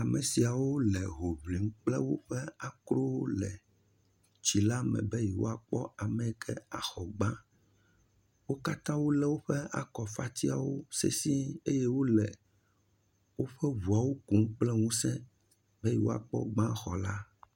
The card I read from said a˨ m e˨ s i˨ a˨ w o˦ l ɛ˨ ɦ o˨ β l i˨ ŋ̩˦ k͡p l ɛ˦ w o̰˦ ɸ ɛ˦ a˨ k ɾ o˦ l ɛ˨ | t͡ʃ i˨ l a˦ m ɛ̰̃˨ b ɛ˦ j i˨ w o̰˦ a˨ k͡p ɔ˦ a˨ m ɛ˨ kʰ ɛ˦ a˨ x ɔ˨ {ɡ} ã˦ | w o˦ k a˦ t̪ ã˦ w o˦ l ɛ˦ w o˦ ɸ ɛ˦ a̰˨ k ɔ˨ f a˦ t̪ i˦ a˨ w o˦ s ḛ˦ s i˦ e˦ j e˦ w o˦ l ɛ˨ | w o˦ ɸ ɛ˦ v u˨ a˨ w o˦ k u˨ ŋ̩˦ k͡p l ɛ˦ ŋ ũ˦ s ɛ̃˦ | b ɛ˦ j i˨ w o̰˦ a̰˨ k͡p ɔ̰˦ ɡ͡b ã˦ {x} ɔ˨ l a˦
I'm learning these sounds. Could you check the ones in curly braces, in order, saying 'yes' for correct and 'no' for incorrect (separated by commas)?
no, yes